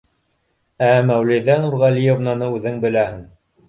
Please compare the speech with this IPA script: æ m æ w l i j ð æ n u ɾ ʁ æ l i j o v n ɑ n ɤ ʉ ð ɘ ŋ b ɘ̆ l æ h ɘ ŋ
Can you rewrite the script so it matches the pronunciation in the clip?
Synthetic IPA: æ m æ w l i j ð æ n u ɾ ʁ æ l i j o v n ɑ n ɤ ʉ ð ɘ ŋ b ɘ̆ l æ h ɘ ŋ